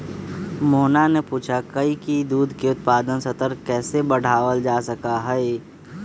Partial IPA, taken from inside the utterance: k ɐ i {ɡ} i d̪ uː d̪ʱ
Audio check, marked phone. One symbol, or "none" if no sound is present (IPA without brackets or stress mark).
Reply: k